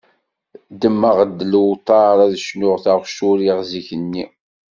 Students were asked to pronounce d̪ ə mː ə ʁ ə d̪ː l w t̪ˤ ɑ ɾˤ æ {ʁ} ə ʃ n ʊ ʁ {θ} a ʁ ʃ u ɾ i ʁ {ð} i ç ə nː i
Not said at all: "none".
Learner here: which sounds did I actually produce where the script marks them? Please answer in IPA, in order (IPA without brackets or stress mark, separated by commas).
ð, θ, z